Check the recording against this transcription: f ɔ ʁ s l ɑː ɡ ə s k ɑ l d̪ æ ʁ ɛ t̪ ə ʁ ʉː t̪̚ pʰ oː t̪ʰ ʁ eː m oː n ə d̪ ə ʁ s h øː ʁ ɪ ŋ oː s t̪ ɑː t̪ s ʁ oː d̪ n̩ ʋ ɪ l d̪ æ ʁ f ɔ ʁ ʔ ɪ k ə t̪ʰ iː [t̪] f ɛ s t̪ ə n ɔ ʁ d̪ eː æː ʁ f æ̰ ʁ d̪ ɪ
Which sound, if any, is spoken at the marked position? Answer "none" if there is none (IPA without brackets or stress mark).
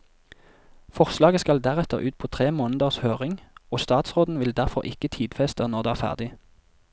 d̪